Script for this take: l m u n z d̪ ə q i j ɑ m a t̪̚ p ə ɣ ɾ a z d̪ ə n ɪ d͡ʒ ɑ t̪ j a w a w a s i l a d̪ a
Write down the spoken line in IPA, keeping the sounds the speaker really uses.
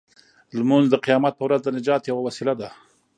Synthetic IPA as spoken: l m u n z d̪ ə q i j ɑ m a t̪̚ p ə w ɾ a z d̪ ə n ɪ d͡ʒ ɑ t̪ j a w a w a s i l a d̪ a